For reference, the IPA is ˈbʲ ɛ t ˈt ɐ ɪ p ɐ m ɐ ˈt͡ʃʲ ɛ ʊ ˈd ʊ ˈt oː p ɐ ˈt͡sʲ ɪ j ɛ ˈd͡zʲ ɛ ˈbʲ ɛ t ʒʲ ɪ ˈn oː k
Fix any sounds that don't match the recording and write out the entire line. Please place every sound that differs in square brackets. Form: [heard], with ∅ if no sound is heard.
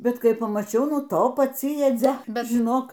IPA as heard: ˈbʲ ɛ t [ˈk] ɐ ɪ p ɐ m ɐ ˈt͡ʃʲ ɛ ʊ [ˈn] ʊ ˈt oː p ɐ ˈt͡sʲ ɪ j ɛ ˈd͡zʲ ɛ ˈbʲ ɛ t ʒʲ ɪ ˈn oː k